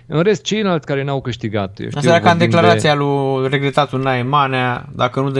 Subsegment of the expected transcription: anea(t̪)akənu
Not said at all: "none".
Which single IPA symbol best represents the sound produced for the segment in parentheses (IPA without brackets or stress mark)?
d̪